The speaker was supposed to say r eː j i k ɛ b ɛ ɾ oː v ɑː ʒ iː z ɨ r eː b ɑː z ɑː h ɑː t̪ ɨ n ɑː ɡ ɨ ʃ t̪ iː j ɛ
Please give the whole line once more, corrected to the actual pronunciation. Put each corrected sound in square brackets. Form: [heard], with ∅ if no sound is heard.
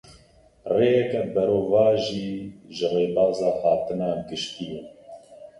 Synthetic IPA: r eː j [ɛ] k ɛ b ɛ ɾ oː v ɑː ʒ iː [ʒ] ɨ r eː b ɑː z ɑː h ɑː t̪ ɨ n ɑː ɡ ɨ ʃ t̪ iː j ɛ